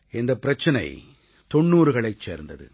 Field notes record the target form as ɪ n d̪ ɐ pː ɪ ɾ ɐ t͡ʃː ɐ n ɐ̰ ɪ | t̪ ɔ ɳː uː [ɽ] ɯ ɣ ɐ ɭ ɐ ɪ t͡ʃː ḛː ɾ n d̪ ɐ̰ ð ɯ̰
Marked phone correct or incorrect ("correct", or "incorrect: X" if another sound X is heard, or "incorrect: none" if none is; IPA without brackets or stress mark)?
incorrect: ɾ